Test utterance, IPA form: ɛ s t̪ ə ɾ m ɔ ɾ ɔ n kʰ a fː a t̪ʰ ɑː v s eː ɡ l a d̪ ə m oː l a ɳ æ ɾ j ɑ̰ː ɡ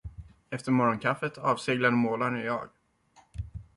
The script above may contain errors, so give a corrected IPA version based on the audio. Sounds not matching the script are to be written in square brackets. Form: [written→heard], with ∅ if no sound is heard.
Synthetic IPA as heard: ɛ [s→f] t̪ ə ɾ m ɔ ɾ ɔ n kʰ a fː [a→ə] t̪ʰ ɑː v s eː ɡ l a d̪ ə m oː l a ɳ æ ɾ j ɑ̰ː ɡ